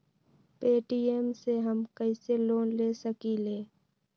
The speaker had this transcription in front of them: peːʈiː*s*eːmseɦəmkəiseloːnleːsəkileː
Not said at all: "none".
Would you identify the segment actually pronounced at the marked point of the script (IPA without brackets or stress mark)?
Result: none